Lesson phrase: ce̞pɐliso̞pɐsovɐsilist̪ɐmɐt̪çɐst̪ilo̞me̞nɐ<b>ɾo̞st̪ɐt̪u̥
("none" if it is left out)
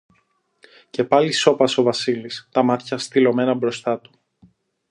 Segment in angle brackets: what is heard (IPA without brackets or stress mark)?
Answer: b